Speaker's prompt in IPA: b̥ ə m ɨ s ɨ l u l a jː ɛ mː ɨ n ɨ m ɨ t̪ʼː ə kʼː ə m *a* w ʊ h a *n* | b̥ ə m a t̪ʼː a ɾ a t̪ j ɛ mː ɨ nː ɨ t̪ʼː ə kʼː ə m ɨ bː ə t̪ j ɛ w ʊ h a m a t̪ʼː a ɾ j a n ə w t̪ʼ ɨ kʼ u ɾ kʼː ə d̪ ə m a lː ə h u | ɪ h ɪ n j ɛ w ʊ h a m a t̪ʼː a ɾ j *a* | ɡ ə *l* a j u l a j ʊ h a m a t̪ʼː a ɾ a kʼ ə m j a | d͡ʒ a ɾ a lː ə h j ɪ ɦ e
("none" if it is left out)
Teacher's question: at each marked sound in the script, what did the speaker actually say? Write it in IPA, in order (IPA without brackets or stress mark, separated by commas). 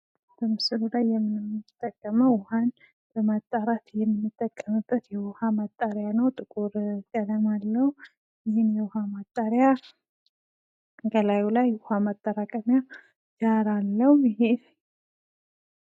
ə, n, a, l